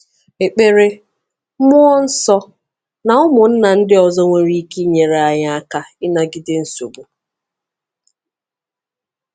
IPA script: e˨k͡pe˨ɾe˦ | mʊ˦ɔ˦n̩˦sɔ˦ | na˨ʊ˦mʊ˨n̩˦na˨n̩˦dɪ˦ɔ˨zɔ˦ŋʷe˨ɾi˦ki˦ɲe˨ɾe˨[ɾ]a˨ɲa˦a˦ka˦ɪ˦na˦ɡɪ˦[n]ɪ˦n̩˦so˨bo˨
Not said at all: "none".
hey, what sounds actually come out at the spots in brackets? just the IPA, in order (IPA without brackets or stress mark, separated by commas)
none, d